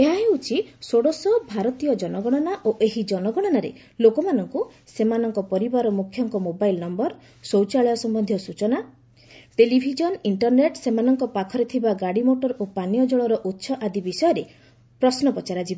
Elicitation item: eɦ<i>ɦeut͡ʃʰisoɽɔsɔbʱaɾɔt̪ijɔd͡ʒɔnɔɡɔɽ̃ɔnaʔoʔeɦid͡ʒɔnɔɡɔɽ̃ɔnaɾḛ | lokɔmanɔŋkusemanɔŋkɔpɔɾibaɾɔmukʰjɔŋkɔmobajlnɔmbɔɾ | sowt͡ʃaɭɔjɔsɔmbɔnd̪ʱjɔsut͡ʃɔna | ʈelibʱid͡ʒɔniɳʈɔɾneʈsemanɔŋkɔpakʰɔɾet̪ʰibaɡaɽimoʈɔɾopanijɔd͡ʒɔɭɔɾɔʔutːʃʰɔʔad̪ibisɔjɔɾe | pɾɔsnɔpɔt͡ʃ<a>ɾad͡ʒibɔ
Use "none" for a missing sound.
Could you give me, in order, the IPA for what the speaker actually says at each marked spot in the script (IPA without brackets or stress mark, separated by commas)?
a, a